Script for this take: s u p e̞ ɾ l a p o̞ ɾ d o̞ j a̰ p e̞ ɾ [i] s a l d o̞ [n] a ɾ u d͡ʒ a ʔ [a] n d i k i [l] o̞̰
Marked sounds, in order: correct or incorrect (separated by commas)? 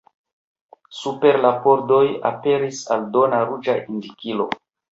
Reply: correct, correct, incorrect, correct